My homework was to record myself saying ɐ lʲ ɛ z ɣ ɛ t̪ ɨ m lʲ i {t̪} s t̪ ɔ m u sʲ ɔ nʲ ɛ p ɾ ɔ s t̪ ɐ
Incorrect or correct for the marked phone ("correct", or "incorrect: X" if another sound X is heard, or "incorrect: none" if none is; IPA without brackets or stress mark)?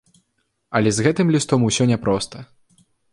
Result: incorrect: none